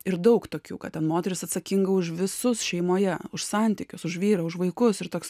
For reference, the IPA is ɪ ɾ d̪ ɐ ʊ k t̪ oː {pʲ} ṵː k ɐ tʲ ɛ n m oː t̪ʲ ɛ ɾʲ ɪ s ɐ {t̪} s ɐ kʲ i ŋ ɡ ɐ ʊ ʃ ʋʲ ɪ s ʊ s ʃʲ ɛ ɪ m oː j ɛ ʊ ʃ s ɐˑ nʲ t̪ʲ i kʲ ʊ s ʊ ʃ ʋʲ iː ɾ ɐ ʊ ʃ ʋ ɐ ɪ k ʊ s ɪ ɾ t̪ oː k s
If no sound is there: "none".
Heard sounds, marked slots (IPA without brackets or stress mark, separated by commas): kʲ, t̪